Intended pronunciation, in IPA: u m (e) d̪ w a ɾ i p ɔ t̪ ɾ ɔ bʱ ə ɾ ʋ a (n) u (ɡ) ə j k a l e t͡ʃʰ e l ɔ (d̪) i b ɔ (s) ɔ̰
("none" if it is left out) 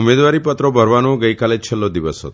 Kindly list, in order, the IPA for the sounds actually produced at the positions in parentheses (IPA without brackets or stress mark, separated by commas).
e, n, ɡ, d̪, s